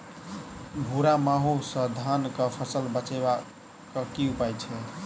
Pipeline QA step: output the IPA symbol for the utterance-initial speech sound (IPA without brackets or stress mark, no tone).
bʱ